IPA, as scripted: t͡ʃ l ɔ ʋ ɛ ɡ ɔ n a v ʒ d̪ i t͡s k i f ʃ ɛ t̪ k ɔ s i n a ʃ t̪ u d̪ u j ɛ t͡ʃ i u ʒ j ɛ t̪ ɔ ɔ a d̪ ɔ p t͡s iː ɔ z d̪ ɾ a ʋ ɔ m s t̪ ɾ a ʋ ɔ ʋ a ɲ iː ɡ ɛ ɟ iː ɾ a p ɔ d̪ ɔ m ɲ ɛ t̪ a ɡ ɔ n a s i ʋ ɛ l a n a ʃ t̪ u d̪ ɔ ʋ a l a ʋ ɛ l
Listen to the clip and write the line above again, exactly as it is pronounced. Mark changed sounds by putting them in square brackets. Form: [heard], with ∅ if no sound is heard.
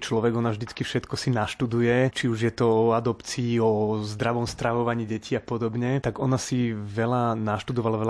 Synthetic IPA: t͡ʃ l ɔ ʋ ɛ ɡ ɔ n a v ʒ d̪ i t͡s k i f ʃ ɛ t̪ k ɔ s i n a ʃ t̪ u d̪ u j ɛ t͡ʃ i u ʒ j ɛ t̪ ɔ ɔ a d̪ ɔ p t͡s iː ɔ z d̪ ɾ a ʋ ɔ m s t̪ ɾ a ʋ ɔ ʋ a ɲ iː [ɟ] ɛ [c] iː [∅] a p ɔ d̪ ɔ [b] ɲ ɛ t̪ a ɡ ɔ n a s i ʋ ɛ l a n a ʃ t̪ u d̪ ɔ ʋ a l a ʋ ɛ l